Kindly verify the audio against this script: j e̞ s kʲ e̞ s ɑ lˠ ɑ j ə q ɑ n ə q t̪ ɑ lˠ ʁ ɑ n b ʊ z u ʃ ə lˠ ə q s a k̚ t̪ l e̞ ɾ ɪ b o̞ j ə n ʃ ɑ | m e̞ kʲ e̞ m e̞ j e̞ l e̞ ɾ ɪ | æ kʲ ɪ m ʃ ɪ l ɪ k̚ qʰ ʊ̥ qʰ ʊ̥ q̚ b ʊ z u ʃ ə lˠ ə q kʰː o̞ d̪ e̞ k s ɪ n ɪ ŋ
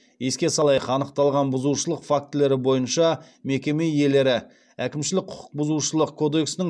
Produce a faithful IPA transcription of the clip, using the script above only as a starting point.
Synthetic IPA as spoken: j e̞ s kʲ e̞ s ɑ lˠ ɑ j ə q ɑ n ə q t̪ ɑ lˠ ʁ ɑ n b ʊ z u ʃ ə lˠ ə q f a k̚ t̪ l e̞ ɾ ɪ b o̞ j ə n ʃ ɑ | m e̞ kʲ e̞ m e̞ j e̞ l e̞ ɾ ɪ | æ kʲ ɪ m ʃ ɪ l ɪ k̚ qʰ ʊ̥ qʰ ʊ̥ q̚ b ʊ z u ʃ ə lˠ ə q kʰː o̞ d̪ e̞ k s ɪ n ɪ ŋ